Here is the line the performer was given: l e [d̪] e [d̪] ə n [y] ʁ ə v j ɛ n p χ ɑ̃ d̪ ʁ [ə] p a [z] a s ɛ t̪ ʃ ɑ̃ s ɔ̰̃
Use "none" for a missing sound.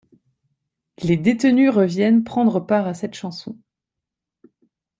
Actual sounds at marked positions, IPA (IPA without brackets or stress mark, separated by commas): d̪, t̪, y, ə, ʁ